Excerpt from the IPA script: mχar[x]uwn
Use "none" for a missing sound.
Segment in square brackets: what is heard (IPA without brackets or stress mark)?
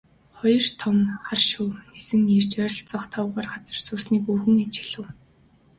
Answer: ʃ